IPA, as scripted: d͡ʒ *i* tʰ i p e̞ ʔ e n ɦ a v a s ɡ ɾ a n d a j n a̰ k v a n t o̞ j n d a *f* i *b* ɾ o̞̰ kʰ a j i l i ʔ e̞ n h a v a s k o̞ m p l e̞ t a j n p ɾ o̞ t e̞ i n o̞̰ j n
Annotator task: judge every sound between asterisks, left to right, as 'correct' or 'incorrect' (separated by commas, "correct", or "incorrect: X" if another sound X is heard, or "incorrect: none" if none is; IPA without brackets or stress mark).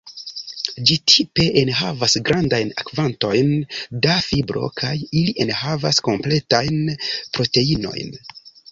correct, correct, correct